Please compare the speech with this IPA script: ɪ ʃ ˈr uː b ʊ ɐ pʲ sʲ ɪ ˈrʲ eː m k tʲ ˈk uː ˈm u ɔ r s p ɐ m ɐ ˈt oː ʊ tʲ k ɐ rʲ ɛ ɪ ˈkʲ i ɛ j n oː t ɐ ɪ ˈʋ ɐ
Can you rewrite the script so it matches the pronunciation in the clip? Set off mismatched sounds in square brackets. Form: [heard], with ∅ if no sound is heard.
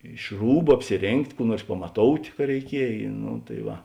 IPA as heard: ɪ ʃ ˈr uː b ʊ ɐ pʲ sʲ ɪ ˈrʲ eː [ŋ] k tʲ ˈk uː [ˈn] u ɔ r s p ɐ m ɐ ˈt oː ʊ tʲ k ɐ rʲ ɛ ɪ ˈkʲ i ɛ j n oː t ɐ ɪ ˈʋ ɐ